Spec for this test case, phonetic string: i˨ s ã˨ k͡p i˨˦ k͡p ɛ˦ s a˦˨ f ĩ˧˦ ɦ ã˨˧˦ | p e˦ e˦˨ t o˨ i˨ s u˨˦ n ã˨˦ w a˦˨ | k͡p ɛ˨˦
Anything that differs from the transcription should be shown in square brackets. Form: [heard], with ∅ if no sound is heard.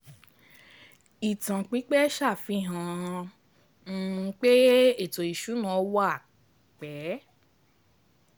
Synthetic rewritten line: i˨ [t] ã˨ k͡p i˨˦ k͡p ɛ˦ [ʃ] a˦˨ f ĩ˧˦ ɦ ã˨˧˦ | [k͡p] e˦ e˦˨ t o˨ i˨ [ʃ] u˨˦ n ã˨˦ w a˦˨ | k͡p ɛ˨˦